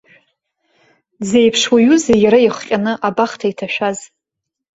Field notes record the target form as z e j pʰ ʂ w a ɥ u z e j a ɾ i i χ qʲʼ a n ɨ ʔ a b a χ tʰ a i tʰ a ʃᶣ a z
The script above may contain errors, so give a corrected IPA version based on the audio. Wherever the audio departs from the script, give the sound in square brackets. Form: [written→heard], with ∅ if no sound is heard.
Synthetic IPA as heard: z e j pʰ ʂ w a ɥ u z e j a ɾ [i→a] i χ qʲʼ a n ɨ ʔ a b a χ tʰ a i tʰ a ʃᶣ a z